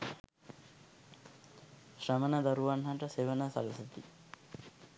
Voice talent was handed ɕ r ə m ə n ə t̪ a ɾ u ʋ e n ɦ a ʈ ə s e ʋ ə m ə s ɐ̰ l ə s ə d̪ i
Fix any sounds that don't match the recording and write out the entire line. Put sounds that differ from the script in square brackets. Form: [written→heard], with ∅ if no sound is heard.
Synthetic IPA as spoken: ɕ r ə m ə n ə [t̪→d̪] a ɾ u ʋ [e→a] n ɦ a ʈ ə s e ʋ ə [m→n] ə s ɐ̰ l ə s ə [d̪→t̪] i